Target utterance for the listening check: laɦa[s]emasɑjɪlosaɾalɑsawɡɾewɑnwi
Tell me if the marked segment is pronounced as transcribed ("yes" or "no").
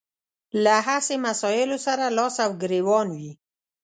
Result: yes